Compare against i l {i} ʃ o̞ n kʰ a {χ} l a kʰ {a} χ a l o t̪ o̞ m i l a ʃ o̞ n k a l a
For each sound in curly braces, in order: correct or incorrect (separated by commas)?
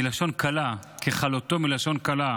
incorrect, incorrect, incorrect